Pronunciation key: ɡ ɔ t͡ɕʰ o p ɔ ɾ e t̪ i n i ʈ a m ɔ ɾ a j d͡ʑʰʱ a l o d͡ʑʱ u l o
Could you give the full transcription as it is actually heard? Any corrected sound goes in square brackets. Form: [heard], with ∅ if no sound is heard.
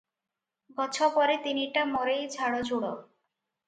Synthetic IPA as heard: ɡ ɔ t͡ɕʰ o p ɔ ɾ e t̪ i n i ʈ a m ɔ ɾ [e] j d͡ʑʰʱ a [ɽ] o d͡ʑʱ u [ɽ] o